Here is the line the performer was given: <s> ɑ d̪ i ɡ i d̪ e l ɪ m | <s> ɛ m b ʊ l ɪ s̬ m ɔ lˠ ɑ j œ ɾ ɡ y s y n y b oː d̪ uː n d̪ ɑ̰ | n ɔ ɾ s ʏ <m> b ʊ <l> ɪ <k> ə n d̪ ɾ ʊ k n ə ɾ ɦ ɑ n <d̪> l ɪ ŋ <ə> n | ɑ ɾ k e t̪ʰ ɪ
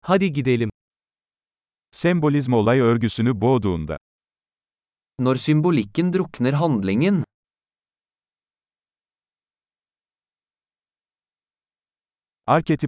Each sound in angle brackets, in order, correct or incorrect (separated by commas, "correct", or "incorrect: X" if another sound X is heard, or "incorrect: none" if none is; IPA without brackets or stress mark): incorrect: h, correct, correct, correct, correct, correct, correct